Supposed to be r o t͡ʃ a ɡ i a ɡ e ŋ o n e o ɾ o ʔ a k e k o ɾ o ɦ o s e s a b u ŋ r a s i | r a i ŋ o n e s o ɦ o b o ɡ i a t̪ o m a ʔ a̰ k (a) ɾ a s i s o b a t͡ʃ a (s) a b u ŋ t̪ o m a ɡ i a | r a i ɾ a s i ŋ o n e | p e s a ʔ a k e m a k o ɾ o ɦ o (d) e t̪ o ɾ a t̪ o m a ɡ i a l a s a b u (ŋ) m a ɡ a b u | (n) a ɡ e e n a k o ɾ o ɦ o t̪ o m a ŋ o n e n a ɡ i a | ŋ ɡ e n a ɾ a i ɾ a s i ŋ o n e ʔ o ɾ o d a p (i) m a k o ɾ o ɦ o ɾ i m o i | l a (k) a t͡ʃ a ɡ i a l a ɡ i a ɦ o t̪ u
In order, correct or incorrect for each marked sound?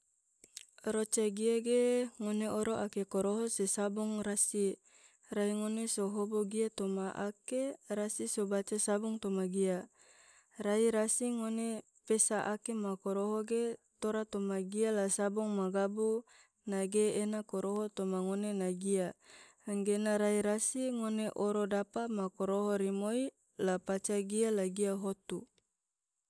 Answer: incorrect: e, correct, incorrect: ɡ, correct, correct, incorrect: a, incorrect: p

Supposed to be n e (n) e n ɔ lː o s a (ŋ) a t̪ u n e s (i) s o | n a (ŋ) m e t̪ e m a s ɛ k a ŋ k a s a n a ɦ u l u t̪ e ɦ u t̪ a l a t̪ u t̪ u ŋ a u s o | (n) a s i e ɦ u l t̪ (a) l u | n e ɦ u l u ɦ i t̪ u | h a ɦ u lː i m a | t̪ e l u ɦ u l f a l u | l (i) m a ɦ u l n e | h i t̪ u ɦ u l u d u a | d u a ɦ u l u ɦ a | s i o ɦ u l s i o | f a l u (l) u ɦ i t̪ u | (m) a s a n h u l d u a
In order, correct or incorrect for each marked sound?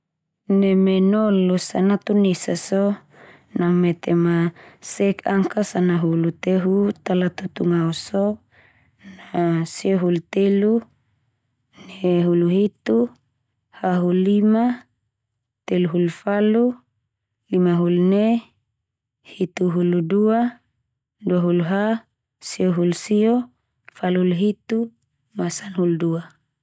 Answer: incorrect: m, incorrect: n, incorrect: a, correct, correct, incorrect: e, correct, correct, correct

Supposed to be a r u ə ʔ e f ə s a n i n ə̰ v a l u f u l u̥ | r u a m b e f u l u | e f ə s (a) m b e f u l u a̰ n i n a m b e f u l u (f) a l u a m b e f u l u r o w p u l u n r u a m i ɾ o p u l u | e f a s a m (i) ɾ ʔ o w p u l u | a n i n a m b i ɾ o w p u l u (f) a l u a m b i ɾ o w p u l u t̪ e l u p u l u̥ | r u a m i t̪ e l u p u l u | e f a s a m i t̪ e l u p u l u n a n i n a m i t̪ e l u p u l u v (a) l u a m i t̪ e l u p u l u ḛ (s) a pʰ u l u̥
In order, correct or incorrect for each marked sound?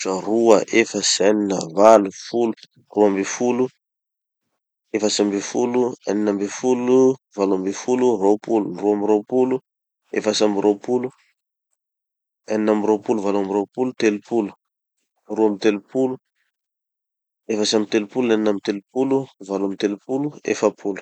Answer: correct, incorrect: v, correct, incorrect: v, correct, incorrect: f

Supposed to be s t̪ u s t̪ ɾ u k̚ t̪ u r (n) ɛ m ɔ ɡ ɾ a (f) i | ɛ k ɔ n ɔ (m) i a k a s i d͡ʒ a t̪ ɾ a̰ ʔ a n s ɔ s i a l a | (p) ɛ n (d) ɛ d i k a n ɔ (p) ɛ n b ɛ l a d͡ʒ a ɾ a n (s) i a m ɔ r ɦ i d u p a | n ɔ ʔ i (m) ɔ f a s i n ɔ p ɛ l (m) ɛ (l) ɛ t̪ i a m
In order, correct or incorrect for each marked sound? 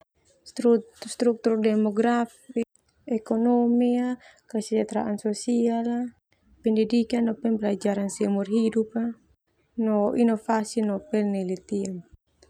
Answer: incorrect: d, correct, correct, correct, correct, correct, correct, incorrect: n, incorrect: n, correct

